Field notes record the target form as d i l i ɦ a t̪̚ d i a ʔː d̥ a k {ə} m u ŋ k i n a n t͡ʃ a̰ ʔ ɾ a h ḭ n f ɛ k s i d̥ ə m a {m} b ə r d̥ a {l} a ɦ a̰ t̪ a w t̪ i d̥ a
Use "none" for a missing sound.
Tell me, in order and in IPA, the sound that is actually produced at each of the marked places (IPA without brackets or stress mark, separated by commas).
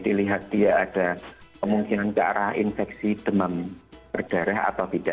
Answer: ə, m, ɾ